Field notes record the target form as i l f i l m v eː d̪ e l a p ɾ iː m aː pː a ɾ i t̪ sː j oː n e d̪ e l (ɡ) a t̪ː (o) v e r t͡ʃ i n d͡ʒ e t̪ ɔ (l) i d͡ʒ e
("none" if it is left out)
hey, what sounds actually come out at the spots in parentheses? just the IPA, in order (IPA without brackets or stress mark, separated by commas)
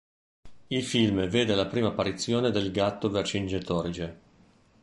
ɡ, o, ɾ